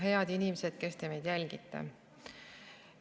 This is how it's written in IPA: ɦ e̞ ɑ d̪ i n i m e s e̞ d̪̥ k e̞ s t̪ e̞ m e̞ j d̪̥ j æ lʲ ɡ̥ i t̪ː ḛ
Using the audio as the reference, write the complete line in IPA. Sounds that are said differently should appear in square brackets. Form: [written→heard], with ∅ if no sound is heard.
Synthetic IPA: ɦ e̞ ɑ d̪ i n i m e s e̞ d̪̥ k e̞ s t̪ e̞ m e̞ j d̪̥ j æ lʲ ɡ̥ i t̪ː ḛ